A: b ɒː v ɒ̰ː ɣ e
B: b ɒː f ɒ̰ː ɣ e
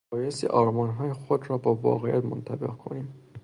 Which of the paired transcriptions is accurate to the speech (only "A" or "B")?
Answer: A